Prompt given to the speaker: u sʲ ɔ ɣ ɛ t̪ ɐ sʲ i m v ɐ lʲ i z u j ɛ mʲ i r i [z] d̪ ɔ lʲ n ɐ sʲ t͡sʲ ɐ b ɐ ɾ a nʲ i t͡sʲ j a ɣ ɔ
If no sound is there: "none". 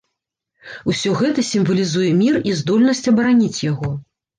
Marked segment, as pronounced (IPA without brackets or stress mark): z